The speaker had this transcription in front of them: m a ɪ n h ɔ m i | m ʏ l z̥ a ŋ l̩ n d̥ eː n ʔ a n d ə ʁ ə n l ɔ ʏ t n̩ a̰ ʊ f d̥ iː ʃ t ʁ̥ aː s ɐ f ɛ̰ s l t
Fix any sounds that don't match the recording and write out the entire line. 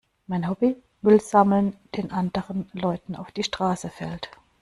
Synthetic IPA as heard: m a ɪ n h ɔ b i | m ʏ l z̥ a m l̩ n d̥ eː n ʔ a n d ə ʁ ə n l ɔ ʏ t n̩ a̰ ʊ f d̥ iː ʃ t ʁ̥ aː s ə f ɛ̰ l t